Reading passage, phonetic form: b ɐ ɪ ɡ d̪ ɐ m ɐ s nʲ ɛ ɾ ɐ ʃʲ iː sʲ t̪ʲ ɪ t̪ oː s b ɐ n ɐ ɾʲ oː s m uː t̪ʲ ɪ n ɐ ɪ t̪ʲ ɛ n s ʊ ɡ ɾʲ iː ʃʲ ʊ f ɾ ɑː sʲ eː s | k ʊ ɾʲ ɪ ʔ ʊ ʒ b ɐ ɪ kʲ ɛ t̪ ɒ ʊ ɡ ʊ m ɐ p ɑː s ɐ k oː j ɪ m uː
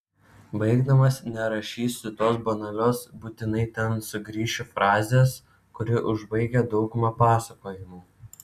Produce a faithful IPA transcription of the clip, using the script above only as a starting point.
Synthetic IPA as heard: b ɐ ɪ ɡ d̪ ɐ m ɐ s nʲ ɛ ɾ ɐ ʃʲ iː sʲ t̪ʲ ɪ t̪ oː s b ɐ n ɐ lʲ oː s b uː t̪ʲ ɪ n ɐ ɪ t̪ʲ ɛ n s ʊ ɡ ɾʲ iː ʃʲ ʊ f ɾ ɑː zʲ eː s | k ʊ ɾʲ ɪ ʔ ʊ ʒ b ɐ ɪ ɡʲ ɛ d̪ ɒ ʊ ɡ ʊ m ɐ p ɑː s ɐ k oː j ɪ m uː